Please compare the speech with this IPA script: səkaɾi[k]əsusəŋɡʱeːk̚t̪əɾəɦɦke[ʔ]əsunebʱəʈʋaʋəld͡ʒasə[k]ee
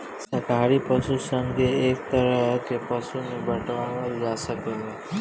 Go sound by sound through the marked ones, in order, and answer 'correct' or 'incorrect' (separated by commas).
incorrect, incorrect, correct